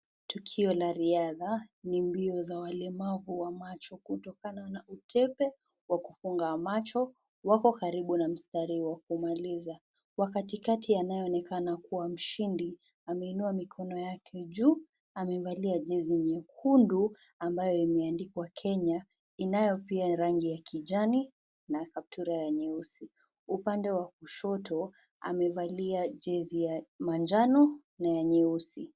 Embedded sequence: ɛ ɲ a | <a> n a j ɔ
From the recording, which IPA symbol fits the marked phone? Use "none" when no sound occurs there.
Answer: i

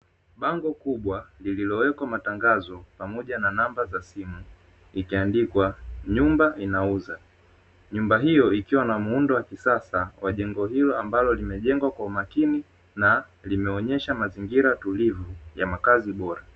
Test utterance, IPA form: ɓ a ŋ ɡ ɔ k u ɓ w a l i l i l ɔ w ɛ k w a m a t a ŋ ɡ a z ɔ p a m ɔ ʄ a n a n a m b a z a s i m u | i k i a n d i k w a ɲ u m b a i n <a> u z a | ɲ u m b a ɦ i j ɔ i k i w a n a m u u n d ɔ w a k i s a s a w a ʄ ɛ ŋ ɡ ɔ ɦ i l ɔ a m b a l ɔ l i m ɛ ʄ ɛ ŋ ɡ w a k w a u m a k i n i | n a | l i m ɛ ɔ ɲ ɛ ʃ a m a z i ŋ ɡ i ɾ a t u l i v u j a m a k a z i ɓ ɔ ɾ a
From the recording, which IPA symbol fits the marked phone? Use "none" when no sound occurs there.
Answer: a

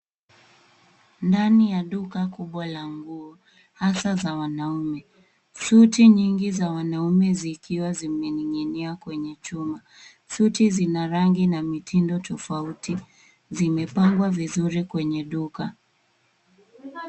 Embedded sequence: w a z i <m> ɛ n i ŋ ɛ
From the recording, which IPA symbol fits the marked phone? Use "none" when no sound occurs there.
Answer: m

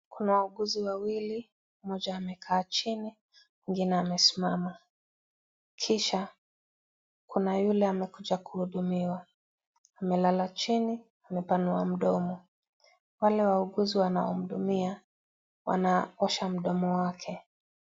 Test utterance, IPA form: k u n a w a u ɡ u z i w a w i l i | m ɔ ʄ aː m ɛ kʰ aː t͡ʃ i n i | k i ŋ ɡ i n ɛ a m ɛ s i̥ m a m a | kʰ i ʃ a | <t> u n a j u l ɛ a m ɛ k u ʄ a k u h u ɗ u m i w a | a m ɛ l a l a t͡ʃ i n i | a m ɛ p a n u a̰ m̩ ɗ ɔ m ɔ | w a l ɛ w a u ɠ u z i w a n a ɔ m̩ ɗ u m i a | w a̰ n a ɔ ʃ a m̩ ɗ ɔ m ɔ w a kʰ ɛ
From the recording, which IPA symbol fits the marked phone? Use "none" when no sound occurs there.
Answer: k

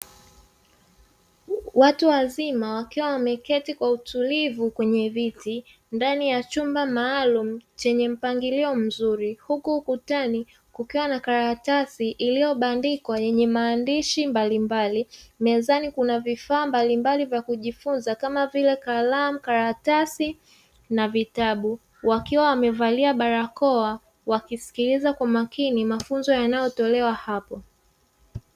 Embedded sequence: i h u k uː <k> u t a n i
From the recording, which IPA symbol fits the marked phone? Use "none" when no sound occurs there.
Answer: k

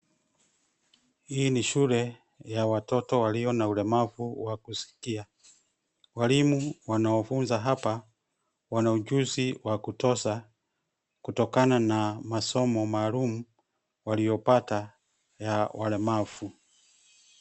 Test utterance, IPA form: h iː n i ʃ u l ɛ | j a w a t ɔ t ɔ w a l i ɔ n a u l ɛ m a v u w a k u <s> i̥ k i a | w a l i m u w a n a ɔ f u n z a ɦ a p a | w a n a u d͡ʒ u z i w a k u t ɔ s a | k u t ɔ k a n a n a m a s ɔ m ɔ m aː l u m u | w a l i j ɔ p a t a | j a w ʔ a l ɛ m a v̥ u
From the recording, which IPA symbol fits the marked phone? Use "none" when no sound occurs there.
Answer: s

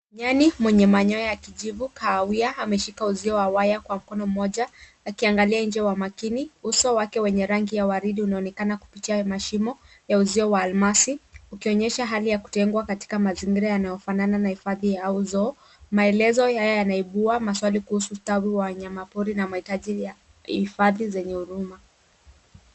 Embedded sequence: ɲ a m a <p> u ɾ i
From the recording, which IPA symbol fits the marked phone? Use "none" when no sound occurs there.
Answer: p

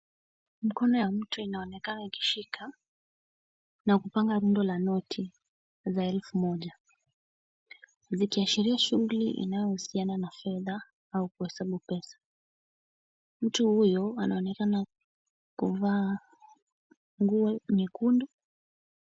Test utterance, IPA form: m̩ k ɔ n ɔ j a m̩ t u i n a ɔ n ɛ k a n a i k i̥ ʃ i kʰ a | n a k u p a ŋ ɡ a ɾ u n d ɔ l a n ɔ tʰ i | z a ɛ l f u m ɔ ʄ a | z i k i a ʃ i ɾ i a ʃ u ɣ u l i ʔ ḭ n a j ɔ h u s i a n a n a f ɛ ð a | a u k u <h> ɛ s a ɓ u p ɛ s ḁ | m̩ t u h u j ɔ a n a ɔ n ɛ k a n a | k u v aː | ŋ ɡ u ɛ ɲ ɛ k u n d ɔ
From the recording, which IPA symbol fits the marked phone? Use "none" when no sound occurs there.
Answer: h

